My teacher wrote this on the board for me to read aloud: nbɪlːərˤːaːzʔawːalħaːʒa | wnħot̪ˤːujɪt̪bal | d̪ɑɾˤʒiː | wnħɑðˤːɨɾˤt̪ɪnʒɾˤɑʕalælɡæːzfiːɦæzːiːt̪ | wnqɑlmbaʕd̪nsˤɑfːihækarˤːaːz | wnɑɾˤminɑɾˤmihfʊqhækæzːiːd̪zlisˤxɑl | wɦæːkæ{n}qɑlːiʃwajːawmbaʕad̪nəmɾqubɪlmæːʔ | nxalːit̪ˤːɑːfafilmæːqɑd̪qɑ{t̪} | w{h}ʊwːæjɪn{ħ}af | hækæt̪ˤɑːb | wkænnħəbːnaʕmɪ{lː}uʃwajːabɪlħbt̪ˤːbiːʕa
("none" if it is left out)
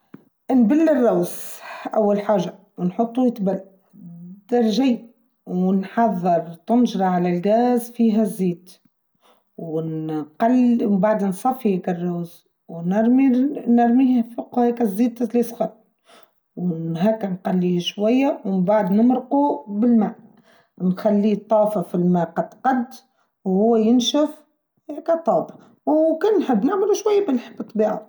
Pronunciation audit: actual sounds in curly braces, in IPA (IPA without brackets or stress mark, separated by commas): n, d̪, h, ʃ, l